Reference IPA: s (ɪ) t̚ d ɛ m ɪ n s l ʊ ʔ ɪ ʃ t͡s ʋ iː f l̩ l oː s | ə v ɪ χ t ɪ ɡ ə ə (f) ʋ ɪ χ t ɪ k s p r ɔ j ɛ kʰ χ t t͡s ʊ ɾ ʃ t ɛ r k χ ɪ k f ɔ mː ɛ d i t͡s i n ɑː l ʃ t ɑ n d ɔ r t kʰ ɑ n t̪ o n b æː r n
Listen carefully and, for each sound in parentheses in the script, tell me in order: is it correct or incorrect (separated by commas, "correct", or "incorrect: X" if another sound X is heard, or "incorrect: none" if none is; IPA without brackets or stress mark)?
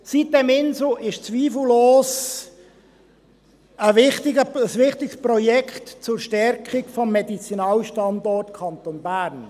incorrect: i, incorrect: s